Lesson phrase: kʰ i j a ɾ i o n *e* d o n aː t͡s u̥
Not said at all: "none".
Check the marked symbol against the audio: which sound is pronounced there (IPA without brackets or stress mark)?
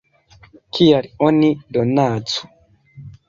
i